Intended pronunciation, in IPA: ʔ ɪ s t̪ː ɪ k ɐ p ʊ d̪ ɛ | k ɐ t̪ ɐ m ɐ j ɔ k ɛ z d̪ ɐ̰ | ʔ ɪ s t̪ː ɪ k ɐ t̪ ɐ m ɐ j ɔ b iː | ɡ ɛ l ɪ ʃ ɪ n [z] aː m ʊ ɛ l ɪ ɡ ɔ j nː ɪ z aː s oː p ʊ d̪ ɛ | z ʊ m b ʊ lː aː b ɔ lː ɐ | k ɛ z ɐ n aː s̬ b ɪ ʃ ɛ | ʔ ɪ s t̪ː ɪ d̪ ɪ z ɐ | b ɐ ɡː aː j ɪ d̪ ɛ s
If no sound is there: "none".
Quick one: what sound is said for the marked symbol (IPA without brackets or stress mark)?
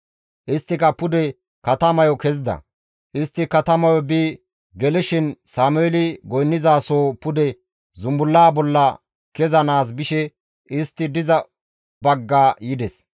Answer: s